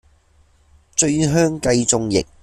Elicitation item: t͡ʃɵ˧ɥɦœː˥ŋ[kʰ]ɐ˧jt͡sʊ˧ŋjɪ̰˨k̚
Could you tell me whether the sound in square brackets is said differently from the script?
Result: yes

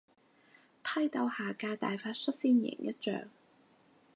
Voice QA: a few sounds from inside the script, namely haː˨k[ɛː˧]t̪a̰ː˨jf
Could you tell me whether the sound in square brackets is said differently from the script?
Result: yes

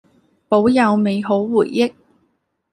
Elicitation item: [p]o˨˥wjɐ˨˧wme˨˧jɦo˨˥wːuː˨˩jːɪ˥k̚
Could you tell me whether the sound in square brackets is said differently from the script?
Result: no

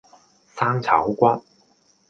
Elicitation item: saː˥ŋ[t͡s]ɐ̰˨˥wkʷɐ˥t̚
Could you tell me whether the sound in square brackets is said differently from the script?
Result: yes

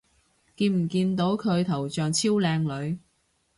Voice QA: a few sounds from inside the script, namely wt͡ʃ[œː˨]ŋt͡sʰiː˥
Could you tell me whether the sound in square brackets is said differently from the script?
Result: no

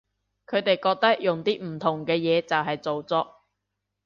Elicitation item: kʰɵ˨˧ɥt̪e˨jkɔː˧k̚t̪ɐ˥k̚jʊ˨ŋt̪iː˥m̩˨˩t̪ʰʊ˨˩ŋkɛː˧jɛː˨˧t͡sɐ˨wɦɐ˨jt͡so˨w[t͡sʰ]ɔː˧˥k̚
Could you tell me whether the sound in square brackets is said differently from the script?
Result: yes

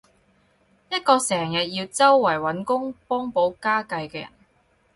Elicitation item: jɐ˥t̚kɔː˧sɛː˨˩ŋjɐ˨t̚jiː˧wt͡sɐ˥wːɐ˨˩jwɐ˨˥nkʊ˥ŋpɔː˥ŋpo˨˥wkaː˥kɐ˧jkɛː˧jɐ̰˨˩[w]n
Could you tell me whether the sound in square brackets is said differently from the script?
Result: yes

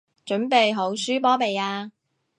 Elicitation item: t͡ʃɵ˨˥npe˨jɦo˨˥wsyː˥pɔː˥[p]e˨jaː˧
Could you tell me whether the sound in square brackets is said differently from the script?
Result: no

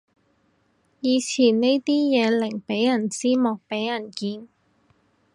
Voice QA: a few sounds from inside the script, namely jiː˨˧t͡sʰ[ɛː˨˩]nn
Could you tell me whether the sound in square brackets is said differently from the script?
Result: yes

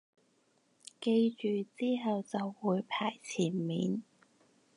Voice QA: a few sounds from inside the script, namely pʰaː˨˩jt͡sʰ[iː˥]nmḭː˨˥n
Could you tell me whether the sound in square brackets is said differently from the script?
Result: yes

